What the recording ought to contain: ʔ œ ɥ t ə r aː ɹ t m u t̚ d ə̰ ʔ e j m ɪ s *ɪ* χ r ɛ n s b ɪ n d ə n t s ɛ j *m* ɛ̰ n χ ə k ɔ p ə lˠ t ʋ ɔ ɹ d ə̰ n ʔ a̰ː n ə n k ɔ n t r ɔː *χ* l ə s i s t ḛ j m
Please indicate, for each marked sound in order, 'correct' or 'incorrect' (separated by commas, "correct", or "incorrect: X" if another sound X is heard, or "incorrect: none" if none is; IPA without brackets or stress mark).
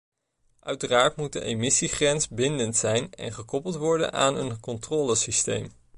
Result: incorrect: i, incorrect: n, incorrect: none